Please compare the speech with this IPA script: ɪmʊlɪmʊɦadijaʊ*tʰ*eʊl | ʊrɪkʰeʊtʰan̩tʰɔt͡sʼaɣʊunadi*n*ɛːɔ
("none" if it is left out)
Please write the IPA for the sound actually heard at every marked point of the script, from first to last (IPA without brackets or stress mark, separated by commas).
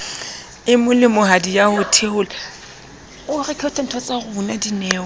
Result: tʰ, n